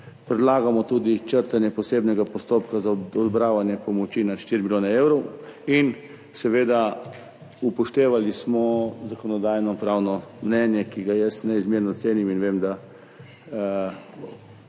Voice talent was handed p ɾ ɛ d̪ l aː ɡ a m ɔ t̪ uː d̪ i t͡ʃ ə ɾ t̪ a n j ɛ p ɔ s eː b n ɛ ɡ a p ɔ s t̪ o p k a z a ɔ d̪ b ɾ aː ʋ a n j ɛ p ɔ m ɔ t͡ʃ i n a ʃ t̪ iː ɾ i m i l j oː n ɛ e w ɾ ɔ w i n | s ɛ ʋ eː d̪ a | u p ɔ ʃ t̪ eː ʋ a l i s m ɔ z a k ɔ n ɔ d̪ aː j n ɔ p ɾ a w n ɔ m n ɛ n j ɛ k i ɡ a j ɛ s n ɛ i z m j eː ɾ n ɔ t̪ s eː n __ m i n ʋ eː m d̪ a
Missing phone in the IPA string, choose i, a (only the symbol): i